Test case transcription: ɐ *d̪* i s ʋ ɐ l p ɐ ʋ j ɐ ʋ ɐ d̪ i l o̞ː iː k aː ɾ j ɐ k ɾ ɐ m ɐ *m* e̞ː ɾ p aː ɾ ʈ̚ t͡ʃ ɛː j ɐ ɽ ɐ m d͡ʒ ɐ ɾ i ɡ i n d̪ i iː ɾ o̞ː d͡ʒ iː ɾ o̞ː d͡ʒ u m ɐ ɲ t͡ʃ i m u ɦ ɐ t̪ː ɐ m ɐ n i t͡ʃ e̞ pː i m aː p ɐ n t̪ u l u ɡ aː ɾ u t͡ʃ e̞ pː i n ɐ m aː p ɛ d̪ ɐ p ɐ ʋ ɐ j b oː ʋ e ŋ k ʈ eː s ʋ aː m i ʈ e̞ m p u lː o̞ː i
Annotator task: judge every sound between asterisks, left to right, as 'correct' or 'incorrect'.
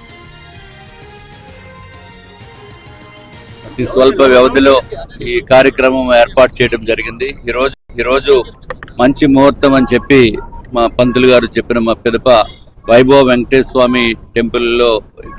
incorrect, correct

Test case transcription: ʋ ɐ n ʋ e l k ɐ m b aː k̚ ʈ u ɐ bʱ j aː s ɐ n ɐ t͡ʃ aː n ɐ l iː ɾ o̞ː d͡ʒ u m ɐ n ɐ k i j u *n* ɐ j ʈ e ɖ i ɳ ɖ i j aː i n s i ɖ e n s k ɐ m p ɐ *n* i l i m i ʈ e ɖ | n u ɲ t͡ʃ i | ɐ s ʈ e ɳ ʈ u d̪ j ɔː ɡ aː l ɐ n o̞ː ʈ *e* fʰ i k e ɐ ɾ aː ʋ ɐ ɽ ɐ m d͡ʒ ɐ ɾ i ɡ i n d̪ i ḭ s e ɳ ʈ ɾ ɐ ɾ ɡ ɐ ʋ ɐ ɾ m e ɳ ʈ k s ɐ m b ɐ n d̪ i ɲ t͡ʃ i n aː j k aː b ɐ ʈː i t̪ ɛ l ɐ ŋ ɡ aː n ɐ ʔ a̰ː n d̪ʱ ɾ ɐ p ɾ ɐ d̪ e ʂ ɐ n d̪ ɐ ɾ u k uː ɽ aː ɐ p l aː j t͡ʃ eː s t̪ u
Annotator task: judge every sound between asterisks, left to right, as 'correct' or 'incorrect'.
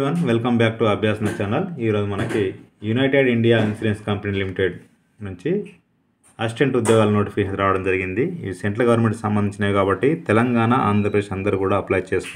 correct, correct, incorrect

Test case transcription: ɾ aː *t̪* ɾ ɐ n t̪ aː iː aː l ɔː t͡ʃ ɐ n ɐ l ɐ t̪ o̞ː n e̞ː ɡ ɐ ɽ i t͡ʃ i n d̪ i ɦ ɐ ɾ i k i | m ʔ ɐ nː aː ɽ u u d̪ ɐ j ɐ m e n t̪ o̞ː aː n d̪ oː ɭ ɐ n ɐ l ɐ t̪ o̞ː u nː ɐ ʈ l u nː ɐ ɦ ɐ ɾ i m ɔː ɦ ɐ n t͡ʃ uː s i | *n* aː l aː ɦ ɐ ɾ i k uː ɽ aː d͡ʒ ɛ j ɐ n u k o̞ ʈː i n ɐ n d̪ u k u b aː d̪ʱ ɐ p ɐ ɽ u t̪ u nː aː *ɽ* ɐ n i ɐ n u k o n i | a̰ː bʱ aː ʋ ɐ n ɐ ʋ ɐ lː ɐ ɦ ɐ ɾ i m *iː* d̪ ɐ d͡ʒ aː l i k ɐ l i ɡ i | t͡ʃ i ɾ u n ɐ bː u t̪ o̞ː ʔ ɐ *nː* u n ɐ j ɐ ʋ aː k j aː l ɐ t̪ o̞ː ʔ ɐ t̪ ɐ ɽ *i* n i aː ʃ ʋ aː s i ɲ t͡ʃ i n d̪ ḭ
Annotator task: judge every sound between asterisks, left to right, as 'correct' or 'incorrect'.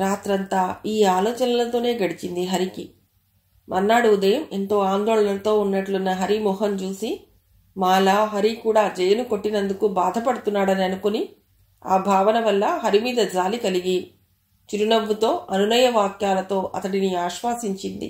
correct, incorrect, correct, correct, incorrect, correct

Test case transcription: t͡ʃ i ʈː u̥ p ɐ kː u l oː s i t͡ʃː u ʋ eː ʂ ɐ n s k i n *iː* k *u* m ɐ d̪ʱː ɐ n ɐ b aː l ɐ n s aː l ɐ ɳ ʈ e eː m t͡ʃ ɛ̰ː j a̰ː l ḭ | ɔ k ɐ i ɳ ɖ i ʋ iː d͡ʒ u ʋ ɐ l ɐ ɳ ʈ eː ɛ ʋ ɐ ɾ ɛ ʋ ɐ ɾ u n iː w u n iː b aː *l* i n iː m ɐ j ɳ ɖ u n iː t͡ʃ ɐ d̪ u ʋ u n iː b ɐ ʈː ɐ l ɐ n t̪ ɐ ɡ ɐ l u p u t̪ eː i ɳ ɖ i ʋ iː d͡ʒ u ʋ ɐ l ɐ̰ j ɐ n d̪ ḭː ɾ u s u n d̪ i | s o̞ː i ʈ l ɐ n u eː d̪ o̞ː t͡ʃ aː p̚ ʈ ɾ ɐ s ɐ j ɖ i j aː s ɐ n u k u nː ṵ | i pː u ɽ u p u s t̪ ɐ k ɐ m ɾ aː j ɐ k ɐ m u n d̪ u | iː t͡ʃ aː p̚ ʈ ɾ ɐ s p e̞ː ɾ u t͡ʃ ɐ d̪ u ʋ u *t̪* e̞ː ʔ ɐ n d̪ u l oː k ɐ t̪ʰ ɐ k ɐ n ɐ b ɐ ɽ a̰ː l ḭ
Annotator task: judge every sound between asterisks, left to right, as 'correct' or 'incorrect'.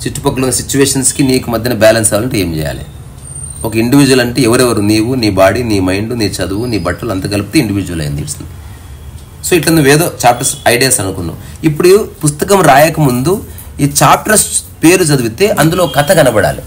correct, correct, incorrect, correct

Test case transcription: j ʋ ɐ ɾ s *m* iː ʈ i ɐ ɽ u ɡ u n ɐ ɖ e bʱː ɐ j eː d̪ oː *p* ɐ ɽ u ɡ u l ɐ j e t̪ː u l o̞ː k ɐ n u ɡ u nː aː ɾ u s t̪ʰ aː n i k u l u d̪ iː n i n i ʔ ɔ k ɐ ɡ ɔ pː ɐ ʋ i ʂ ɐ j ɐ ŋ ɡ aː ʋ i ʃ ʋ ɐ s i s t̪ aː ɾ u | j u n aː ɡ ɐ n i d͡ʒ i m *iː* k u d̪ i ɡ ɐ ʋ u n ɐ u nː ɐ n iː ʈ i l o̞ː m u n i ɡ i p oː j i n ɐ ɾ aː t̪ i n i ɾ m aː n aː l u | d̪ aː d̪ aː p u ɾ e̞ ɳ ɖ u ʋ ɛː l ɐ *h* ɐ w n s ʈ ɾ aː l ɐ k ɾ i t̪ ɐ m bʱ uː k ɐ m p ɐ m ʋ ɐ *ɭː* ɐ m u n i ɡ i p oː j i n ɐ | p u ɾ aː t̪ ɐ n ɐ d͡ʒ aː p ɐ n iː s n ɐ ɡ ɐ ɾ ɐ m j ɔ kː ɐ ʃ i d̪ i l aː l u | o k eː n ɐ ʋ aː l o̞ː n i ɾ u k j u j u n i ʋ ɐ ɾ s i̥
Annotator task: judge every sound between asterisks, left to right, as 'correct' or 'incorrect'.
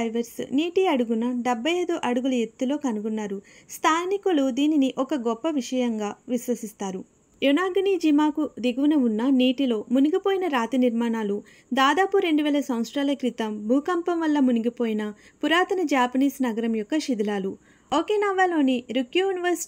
incorrect, incorrect, incorrect, incorrect, incorrect

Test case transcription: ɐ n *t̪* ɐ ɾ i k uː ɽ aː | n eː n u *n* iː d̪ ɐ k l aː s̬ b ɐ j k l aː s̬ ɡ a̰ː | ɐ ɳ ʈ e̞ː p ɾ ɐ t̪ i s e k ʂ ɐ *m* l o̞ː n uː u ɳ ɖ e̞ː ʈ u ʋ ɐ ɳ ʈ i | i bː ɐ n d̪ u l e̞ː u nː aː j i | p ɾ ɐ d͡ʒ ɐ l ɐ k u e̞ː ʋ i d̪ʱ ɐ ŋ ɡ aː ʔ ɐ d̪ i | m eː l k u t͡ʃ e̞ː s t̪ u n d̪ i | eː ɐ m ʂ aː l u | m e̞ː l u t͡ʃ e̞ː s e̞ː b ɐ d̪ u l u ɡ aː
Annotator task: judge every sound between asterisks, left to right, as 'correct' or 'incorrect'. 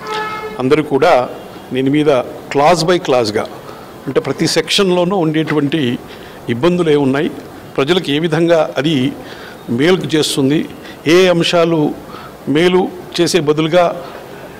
incorrect, incorrect, incorrect

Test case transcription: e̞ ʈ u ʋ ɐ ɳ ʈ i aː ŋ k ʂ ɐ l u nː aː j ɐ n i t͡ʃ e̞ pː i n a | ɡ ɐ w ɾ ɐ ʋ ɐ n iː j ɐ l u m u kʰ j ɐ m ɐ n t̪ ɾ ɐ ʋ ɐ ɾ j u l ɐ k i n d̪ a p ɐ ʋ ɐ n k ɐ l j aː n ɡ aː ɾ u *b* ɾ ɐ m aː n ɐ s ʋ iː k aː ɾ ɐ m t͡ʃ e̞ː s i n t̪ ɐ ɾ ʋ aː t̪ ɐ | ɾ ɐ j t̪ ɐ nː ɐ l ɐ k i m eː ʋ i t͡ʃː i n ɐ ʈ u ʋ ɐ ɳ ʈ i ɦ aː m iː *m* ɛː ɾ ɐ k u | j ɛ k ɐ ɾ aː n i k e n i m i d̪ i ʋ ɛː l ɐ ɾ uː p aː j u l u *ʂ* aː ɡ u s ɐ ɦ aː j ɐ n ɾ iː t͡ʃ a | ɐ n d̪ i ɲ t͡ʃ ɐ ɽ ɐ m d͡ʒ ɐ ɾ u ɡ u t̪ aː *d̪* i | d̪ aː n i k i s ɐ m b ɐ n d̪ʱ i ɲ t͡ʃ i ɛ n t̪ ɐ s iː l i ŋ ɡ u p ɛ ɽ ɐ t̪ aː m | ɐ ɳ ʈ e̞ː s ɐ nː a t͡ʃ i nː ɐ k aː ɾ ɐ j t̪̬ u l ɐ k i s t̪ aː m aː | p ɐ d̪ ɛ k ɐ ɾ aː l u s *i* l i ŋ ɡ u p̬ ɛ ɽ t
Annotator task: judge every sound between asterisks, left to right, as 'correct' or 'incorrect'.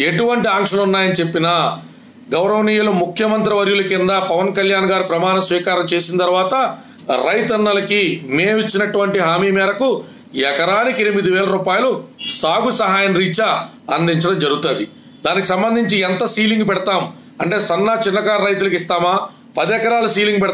incorrect, correct, incorrect, correct, incorrect

